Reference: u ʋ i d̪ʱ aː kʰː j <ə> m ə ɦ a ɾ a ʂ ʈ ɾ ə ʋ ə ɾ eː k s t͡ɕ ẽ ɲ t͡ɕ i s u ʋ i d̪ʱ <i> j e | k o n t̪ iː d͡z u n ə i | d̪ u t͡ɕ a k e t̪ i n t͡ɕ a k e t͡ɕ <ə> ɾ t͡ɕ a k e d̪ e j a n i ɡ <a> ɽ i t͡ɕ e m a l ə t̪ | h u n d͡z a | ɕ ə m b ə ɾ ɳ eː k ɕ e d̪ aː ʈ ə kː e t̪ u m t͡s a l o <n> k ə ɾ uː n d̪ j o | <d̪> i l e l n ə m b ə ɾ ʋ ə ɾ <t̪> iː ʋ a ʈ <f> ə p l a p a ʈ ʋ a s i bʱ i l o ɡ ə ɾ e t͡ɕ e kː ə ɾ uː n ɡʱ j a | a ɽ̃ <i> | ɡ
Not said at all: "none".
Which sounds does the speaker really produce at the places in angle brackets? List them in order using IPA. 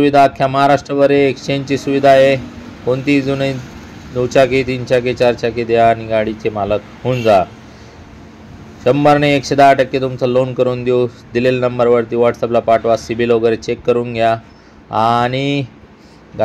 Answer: a, a, a, a, n, d̪, t̪, s, i

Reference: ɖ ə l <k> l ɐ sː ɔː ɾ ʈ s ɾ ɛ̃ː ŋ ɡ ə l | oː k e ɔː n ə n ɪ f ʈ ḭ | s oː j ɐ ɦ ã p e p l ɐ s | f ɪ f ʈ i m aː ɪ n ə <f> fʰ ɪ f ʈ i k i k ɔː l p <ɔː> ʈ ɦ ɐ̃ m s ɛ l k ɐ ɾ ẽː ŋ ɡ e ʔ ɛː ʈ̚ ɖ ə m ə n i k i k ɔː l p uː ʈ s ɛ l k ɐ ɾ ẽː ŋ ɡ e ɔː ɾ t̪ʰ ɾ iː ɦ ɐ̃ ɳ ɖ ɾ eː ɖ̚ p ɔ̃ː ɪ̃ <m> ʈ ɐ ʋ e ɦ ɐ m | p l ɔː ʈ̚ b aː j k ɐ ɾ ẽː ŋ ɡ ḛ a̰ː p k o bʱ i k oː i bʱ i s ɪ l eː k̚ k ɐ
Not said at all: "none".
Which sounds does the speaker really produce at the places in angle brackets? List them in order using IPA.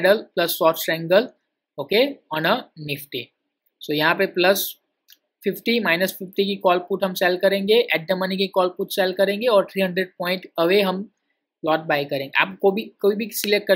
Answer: p, s, uː, ɳ

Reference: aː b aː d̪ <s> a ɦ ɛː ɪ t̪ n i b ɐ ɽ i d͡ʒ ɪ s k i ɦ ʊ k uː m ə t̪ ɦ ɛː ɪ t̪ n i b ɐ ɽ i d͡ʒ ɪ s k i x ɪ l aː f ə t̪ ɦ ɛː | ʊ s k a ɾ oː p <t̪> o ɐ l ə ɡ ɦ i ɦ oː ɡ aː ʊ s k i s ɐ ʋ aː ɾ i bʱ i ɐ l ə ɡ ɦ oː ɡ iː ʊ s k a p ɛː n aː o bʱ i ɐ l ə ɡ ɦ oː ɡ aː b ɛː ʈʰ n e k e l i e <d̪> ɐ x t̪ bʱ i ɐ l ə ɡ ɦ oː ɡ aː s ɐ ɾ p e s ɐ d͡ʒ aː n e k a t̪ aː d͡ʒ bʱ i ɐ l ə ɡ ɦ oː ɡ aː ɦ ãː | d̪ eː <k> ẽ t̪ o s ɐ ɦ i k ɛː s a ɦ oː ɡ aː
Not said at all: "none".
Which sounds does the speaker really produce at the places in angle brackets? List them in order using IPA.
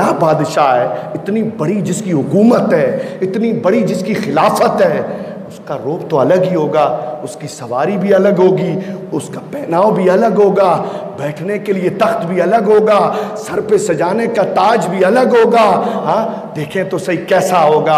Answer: ʃ, t̪, t̪, kʰ

